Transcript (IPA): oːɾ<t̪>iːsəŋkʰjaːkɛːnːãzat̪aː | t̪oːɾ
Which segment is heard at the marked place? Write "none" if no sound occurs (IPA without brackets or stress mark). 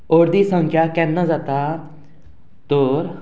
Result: d̪